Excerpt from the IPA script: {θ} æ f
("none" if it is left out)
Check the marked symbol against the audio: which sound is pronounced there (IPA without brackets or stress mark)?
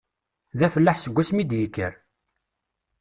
ð